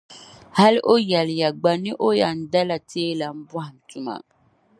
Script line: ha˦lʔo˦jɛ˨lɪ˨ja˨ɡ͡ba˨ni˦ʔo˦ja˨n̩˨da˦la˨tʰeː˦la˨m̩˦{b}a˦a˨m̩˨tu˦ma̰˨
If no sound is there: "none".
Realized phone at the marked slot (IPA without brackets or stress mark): b